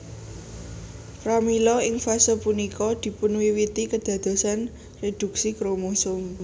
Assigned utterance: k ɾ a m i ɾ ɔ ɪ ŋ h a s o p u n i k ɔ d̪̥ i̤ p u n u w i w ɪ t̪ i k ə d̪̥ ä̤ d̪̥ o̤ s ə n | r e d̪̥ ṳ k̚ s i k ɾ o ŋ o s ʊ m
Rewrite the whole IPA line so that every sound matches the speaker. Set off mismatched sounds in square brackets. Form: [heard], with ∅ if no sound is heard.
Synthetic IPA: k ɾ a m i [l] ɔ ɪ ŋ [f] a s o p u n i k ɔ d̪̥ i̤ p u n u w i w [i] t̪ i k ə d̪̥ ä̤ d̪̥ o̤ s [a] n | r e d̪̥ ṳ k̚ s i k ɾ o [m] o s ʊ m